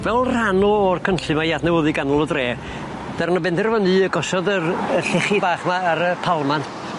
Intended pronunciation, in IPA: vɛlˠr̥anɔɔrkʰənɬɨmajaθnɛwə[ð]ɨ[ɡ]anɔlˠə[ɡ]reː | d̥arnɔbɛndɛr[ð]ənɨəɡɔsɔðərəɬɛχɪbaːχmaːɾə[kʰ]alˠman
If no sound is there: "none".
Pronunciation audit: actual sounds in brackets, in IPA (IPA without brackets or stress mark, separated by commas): ð, ɡ, d, v, pʰ